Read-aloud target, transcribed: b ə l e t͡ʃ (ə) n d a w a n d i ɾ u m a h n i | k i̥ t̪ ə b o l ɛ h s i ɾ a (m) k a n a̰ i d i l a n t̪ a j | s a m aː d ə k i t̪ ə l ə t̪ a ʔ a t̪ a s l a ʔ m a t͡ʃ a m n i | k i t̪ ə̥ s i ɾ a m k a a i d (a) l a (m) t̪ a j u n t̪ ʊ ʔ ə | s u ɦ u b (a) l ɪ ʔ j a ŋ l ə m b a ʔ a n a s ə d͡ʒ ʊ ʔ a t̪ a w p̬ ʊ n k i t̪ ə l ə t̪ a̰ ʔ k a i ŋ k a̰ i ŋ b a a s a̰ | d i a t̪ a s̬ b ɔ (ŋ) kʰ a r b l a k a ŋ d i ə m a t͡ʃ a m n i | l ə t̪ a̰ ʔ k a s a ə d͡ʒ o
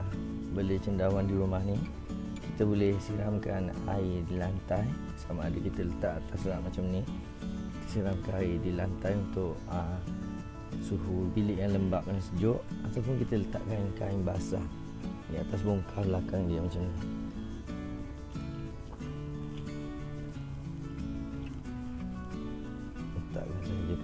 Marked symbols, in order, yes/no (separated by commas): yes, yes, no, no, no, yes